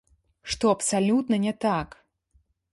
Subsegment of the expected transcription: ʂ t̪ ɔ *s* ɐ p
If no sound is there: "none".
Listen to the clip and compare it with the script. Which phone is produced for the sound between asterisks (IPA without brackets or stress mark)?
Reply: none